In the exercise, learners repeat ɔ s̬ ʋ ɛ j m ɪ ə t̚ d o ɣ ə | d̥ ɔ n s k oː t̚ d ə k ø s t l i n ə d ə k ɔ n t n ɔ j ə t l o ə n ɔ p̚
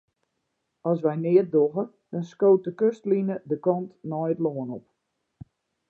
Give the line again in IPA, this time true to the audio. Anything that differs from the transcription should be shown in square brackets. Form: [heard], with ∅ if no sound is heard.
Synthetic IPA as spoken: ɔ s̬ ʋ ɛ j [n] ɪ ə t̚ d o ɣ ə | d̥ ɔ n s k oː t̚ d ə k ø s t l i n ə d ə k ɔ n t n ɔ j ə t l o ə n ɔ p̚